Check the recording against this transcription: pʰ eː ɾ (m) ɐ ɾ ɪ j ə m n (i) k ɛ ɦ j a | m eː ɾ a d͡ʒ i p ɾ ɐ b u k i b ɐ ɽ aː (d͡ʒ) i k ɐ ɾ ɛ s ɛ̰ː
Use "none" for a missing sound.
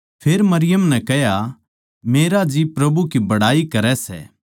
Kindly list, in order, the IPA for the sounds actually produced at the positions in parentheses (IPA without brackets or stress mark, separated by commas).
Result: m, ɛ, none